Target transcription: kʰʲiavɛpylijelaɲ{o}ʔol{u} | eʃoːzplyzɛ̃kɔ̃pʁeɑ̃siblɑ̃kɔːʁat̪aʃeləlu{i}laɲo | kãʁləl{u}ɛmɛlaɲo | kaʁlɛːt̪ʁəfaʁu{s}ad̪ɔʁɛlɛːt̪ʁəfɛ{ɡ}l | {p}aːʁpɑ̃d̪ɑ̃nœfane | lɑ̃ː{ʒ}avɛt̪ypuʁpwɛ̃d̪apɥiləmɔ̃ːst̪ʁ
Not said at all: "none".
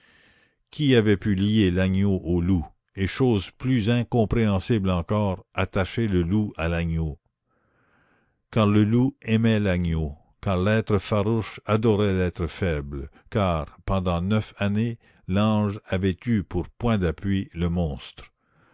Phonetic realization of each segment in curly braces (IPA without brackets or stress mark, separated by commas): o, u, a, u, ʃ, b, k, ʒ